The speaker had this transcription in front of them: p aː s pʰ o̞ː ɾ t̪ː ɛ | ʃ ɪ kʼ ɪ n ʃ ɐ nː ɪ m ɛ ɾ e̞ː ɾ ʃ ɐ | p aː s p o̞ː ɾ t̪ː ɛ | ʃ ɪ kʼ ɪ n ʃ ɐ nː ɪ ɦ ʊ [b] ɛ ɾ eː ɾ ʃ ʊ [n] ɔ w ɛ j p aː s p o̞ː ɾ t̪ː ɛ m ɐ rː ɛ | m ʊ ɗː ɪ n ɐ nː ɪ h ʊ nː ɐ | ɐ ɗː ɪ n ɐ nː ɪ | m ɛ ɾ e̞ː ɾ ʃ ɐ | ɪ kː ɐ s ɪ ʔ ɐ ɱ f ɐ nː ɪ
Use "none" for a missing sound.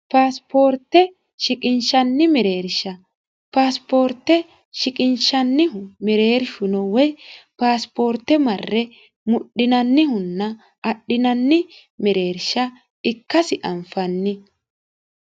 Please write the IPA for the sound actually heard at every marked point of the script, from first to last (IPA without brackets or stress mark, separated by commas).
m, n